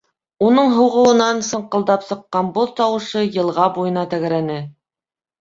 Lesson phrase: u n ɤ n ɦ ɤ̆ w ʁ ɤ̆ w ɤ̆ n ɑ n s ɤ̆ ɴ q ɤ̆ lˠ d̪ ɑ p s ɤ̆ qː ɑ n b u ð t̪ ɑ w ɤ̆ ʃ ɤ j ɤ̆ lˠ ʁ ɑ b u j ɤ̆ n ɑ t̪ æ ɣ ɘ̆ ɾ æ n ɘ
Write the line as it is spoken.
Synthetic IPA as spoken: u n ɤ ɴ ɦ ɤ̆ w ʁ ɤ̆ w ɤ̆ n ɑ n s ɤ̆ ɴ q ɤ̆ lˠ d̪ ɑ p s ɤ̆ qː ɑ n b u ð t̪ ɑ w ɤ̆ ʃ ɤ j ɤ̆ lˠ ʁ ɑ b u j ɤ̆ n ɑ t̪ æ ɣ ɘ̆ ɾ æ n ɘ